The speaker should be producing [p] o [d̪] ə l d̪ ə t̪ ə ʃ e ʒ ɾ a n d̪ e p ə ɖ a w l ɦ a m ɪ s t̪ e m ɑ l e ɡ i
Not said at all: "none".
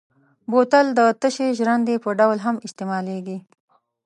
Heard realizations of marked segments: b, t̪

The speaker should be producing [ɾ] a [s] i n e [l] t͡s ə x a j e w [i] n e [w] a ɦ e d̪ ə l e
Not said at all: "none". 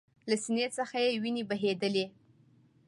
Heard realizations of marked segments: l, s, none, i, b

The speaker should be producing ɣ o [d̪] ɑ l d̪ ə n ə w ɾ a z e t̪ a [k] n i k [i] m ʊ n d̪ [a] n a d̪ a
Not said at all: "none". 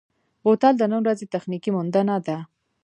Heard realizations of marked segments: t̪, x, i, a

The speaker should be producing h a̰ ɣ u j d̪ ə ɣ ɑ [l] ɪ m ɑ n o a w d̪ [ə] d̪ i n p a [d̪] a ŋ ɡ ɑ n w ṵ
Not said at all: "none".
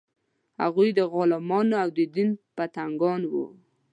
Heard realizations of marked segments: l, ə, t̪

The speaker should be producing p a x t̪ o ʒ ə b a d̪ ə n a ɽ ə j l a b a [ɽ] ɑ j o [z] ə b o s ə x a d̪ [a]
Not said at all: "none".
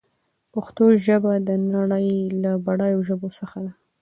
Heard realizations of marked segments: ɽ, ʒ, a

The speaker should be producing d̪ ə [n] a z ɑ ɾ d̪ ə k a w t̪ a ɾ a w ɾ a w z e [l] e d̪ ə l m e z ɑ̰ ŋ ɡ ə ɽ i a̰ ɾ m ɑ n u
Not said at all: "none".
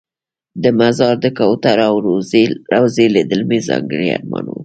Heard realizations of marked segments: m, l

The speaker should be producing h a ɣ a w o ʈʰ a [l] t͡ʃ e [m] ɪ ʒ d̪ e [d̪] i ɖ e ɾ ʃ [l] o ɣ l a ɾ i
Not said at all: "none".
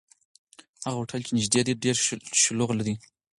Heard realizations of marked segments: l, n, d̪, l

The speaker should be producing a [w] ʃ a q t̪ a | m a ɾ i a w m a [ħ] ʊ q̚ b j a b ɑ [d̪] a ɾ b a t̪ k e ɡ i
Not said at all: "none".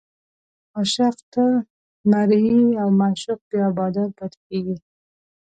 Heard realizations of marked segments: none, ʃ, d̪

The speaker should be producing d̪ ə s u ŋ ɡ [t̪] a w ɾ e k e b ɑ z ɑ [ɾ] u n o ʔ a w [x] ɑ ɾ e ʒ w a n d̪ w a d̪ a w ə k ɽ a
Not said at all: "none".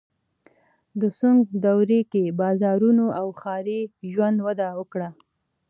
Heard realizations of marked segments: d̪, ɾ, x

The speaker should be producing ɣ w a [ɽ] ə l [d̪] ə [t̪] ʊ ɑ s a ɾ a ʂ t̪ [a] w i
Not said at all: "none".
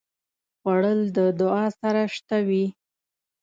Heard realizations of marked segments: ɽ, d̪, d̪, a

